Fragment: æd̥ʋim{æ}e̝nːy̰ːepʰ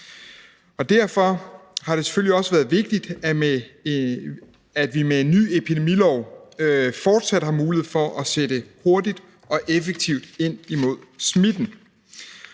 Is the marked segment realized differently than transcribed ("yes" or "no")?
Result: yes